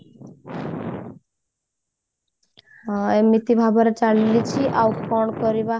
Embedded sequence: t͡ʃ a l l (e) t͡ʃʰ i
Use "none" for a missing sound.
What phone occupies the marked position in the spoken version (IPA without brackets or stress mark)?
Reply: i